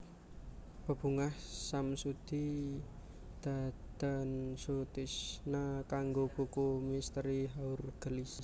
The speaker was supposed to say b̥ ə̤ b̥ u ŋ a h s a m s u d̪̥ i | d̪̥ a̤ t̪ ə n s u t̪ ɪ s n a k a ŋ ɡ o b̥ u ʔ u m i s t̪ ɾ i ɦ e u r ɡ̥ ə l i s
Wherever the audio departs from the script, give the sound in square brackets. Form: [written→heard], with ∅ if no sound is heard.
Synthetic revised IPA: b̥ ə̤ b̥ u ŋ a h s a m s u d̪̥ i | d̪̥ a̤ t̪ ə n s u t̪ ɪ s n a k a ŋ ɡ o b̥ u [ʔ→k] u m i s t̪ ɾ i ɦ [e→a] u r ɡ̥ ə l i s